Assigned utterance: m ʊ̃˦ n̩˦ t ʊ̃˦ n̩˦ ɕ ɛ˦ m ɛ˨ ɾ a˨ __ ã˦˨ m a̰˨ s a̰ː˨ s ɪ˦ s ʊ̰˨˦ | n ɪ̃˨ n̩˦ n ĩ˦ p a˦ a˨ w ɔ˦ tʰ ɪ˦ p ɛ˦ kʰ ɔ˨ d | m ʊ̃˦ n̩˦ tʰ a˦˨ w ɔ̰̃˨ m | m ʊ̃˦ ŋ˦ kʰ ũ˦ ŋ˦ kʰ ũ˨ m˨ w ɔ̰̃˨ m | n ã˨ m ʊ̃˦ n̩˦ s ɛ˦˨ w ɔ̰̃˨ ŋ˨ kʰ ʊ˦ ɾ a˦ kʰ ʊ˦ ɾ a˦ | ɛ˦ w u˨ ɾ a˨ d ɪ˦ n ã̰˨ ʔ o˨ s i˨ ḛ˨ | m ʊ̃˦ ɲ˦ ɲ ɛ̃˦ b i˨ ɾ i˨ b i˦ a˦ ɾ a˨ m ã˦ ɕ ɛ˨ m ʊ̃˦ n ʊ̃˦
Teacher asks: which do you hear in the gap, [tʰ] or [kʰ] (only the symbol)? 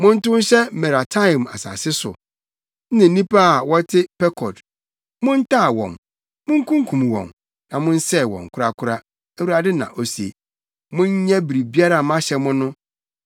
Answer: tʰ